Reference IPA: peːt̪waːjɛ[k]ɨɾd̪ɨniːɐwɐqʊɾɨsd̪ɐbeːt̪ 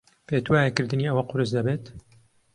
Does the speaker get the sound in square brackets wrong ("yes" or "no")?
no